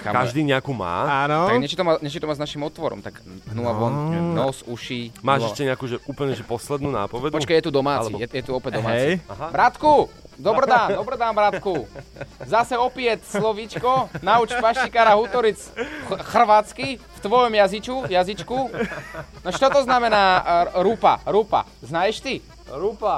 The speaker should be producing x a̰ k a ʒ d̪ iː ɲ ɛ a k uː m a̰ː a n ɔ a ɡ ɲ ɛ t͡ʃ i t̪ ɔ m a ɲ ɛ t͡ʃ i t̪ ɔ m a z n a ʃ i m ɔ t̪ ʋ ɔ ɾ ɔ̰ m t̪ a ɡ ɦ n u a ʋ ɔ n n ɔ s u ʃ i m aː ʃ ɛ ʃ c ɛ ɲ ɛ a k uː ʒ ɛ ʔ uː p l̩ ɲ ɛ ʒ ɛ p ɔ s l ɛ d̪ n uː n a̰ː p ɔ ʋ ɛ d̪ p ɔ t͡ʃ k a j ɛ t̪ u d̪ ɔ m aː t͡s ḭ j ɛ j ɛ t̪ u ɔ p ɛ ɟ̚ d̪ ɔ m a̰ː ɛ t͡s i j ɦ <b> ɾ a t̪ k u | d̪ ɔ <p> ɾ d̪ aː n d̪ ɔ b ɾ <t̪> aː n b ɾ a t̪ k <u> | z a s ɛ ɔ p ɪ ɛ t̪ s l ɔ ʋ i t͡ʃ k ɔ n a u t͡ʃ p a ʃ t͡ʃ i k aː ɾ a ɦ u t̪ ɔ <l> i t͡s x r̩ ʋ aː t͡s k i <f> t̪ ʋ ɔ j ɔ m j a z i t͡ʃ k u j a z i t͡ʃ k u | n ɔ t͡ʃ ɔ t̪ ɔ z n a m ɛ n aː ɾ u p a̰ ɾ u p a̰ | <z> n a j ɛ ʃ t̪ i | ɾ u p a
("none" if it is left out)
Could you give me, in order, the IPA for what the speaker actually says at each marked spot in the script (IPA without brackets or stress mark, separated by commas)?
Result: b, b, d̪, u, ɾ, f, z